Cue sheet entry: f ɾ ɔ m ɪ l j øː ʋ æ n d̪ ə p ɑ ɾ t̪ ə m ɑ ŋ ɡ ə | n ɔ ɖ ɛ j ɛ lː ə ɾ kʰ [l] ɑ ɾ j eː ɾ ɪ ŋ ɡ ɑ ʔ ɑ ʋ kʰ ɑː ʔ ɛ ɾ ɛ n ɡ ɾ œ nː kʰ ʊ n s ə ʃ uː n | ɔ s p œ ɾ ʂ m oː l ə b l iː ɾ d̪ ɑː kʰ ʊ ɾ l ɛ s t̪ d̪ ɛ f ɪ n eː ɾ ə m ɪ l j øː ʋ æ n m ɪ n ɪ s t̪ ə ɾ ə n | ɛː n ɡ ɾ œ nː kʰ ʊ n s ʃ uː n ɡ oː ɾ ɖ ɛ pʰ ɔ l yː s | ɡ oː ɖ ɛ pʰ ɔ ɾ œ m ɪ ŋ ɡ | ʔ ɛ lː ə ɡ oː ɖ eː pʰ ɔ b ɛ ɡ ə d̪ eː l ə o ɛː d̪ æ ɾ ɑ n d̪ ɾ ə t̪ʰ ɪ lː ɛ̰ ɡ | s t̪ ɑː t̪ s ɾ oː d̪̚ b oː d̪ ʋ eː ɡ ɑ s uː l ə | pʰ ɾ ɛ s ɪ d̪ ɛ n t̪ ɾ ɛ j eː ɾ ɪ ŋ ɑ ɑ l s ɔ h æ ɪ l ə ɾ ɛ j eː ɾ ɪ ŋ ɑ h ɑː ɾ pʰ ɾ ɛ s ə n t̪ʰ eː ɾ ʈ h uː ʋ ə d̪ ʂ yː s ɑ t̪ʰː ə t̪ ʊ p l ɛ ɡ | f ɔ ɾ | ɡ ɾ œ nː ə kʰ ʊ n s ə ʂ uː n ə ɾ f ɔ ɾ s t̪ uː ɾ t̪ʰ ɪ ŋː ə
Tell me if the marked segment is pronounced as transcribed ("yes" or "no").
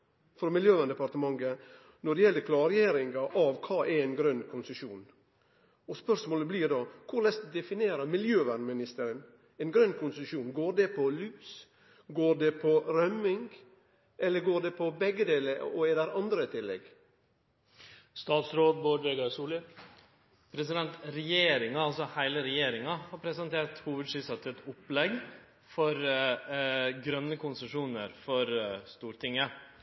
yes